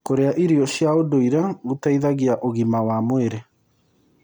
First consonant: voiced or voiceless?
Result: voiceless